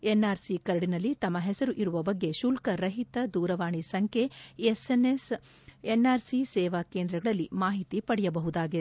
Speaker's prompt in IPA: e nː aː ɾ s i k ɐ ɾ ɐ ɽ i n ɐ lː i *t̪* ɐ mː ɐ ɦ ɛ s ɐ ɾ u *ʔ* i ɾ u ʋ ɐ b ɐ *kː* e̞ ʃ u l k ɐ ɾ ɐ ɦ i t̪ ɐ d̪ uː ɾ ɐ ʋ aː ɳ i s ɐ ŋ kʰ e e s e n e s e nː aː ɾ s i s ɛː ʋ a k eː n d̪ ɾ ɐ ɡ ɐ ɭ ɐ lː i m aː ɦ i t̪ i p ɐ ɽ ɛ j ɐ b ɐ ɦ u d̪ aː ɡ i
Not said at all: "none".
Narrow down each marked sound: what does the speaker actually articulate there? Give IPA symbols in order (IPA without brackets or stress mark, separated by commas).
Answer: t̪, ʔ, ɡː